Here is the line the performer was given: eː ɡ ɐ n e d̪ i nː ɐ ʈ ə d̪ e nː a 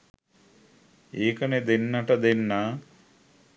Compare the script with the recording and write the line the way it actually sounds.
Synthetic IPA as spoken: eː k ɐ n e d̪ e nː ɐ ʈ ɐ d̪ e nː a